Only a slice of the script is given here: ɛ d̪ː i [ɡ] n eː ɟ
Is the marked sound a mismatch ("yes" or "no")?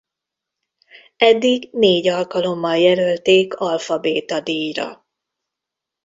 no